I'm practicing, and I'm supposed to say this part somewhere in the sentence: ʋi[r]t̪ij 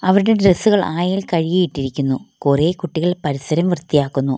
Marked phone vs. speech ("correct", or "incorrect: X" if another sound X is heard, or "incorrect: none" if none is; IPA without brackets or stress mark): correct